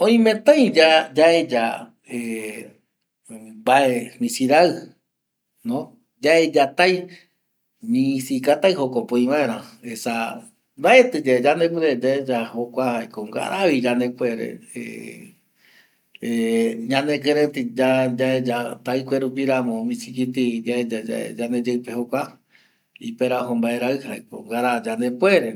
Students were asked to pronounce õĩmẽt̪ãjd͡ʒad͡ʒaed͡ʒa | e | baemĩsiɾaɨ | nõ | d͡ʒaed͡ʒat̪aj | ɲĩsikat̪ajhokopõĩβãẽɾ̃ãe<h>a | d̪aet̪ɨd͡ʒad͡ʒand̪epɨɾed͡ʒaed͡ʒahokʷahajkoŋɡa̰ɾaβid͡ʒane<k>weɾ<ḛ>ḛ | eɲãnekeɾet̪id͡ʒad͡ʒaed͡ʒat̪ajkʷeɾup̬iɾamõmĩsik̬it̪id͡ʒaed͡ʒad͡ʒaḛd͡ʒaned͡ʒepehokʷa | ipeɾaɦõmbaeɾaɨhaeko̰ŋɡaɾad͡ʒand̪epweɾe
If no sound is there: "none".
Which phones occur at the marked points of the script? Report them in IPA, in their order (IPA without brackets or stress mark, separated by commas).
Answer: s, p, ḛ